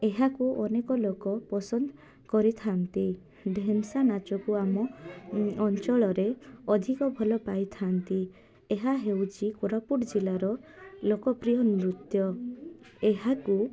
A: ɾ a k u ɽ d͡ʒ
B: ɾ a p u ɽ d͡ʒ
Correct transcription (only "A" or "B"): B